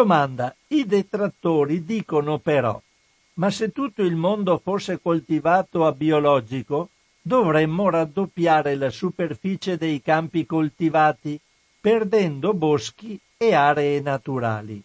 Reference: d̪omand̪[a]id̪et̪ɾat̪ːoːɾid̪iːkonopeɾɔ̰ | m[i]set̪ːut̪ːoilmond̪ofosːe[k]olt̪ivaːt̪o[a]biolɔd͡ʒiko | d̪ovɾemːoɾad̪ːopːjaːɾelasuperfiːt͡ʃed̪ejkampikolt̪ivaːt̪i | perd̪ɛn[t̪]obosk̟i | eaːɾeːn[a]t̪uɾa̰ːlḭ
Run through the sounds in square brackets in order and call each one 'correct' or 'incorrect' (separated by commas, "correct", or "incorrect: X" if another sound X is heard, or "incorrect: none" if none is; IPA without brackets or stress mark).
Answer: correct, incorrect: a, correct, correct, incorrect: d̪, correct